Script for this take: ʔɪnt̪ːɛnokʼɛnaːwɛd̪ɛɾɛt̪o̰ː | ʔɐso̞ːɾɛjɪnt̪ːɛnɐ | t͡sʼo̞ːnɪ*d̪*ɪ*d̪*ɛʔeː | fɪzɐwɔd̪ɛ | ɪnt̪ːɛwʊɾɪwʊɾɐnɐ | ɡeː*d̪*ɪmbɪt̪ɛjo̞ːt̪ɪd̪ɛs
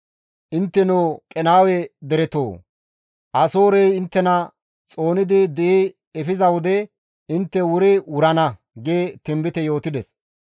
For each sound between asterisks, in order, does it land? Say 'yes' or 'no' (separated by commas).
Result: yes, yes, no